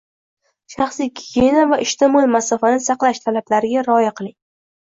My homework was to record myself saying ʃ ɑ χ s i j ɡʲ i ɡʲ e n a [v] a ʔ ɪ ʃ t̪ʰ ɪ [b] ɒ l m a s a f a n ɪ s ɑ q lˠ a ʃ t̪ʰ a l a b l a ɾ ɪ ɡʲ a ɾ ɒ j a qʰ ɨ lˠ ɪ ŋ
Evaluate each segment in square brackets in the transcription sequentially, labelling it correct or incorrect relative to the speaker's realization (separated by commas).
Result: correct, incorrect